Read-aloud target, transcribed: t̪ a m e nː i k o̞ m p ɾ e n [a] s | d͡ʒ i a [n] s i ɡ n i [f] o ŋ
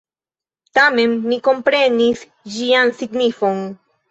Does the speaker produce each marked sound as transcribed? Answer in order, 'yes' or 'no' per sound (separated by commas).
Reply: no, yes, yes